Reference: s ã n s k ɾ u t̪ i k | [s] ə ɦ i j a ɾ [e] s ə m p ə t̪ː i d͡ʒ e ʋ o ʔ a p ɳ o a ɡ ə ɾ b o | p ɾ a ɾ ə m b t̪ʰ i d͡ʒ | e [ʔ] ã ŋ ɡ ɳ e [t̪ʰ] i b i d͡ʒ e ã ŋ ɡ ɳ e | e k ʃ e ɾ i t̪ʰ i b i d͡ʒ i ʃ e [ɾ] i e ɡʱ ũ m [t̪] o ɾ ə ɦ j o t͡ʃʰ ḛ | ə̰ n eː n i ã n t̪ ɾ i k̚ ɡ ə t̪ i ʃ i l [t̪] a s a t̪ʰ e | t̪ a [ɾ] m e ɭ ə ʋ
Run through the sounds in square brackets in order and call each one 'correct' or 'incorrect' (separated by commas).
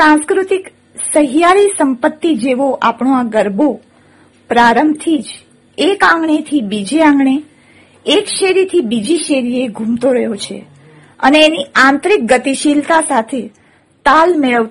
correct, incorrect, incorrect, correct, correct, correct, correct, incorrect